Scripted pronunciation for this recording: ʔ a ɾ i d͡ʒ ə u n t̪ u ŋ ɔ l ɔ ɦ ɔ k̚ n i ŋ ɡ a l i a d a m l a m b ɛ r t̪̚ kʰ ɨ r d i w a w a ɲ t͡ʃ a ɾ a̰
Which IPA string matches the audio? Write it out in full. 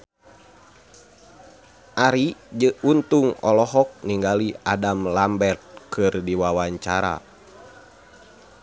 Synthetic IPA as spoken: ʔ a ɾ i d͡ʒ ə u n t̪ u ŋ ɔ l ɔ ɦ ɔ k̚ n i ŋ ɡ a l i a d a m l a m b ɛ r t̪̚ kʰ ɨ r d i w a w a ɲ t͡ʃ a ɾ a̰